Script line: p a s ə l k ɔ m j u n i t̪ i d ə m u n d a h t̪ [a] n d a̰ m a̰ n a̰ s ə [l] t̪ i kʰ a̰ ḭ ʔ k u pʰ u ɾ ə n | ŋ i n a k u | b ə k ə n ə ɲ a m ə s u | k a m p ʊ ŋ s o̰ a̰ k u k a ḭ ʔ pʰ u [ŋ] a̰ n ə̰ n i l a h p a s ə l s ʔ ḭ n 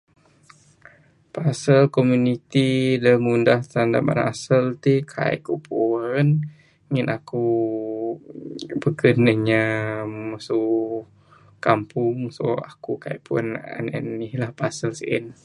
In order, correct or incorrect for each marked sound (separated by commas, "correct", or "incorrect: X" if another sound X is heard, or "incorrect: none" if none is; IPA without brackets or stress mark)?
correct, correct, incorrect: n